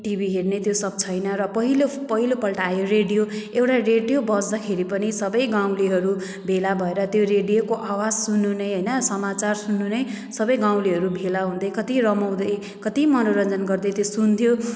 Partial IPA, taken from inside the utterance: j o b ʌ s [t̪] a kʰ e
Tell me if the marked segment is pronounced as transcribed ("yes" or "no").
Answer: no